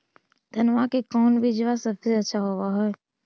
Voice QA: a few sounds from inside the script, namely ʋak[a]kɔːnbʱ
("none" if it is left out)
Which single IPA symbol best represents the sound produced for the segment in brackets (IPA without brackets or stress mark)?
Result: e